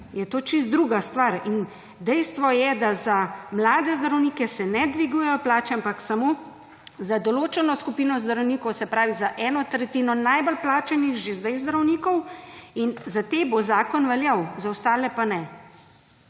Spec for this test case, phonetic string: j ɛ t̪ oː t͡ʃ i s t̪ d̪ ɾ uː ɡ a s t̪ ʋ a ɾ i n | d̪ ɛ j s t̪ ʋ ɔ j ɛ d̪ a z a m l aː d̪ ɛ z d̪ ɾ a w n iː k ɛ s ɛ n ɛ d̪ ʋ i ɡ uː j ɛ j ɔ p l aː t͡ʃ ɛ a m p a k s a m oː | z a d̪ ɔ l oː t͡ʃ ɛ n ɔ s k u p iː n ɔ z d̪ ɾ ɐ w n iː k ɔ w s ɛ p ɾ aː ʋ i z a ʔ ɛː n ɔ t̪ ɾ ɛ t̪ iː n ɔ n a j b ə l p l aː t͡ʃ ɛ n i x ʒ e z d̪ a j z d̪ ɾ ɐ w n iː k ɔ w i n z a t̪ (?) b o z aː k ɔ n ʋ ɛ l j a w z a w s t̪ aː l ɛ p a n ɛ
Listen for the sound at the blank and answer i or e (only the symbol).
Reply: e